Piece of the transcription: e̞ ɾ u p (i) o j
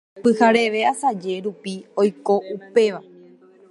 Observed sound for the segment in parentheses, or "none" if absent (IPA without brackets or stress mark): i